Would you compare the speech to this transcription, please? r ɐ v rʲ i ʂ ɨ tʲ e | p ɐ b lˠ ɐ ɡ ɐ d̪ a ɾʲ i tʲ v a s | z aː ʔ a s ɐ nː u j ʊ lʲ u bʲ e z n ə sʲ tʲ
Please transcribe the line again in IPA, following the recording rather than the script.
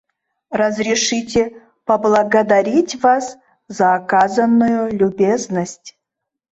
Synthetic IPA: r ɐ z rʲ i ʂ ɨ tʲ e | p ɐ b lˠ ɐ ɡ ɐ d̪ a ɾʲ i tʲ v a s | z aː k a z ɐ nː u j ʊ lʲ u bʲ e z n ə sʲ tʲ